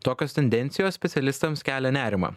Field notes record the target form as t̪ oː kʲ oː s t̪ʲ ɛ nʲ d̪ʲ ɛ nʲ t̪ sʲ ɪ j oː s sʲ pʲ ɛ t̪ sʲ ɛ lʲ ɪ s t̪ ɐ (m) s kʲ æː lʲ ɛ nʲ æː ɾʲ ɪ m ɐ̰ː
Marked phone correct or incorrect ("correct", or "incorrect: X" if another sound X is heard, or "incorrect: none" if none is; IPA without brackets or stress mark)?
correct